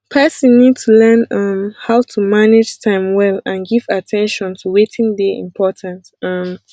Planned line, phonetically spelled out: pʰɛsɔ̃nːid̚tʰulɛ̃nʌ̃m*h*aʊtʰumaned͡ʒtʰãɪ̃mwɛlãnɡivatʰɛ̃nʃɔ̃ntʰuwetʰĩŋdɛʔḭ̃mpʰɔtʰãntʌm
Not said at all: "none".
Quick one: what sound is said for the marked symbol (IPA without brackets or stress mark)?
h